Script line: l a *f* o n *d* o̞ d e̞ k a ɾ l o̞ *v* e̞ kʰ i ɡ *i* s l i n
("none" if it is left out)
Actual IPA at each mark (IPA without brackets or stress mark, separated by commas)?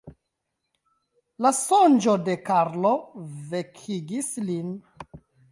s, d͡ʒ, v, i